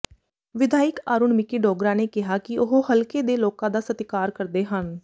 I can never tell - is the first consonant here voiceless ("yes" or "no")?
no